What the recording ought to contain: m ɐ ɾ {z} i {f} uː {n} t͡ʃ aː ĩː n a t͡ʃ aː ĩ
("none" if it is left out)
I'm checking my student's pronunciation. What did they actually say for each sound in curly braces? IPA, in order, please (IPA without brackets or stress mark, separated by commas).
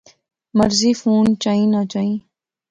z, f, n